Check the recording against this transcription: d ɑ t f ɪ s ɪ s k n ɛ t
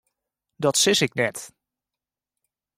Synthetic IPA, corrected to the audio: d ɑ t s ɪ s ɪ k n ɛ t